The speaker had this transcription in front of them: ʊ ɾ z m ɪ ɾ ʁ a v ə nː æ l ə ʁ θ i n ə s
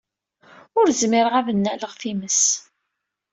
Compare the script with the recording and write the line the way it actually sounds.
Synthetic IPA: ʊ ɾ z m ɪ ɾ ʁ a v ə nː æ l ə ʁ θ i m ə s